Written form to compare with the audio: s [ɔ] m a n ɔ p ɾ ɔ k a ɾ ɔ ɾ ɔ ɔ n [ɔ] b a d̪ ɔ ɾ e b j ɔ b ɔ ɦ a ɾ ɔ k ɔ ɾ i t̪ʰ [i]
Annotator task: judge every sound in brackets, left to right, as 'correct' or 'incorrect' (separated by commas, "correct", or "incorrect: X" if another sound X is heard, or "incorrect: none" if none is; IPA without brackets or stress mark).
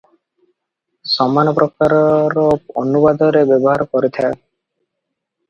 correct, incorrect: u, incorrect: a